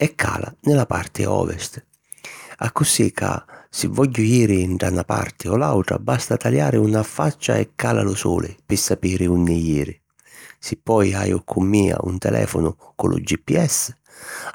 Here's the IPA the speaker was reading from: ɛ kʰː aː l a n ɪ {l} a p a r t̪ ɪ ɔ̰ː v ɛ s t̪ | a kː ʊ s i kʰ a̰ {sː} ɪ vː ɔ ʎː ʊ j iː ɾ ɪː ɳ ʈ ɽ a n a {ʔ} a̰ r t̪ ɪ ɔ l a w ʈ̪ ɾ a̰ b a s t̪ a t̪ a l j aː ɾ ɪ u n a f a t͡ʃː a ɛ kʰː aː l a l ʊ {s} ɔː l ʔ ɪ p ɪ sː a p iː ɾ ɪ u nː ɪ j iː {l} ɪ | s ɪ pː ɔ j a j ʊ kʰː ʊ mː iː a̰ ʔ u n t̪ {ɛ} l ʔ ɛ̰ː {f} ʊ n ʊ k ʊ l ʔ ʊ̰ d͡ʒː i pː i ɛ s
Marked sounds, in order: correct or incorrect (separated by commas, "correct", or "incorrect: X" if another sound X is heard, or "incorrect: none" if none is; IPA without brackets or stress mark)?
correct, incorrect: s, incorrect: p, correct, incorrect: ɾ, correct, correct